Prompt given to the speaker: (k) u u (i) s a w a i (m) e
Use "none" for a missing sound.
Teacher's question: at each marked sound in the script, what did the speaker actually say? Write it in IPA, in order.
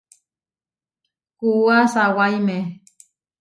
k, a, m

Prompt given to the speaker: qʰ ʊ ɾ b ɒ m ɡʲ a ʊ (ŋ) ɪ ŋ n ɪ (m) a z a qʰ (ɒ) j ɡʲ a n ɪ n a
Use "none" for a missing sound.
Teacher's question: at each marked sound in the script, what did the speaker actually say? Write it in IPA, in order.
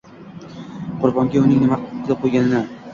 n, m, o

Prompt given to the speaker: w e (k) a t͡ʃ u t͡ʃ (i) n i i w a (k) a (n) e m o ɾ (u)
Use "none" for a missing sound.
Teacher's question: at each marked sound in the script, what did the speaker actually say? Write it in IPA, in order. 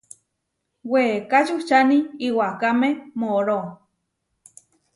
k, a, k, m, o

